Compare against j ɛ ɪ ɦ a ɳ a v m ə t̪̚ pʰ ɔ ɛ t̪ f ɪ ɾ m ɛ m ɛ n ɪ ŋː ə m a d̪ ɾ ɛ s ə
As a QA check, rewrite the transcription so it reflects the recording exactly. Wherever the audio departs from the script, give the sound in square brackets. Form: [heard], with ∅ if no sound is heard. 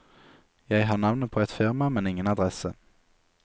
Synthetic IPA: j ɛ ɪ ɦ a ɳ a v [n] ə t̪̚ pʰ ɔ ɛ t̪ f ɪ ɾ m [a] m ɛ n ɪ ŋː ə [n] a d̪ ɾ ɛ s ə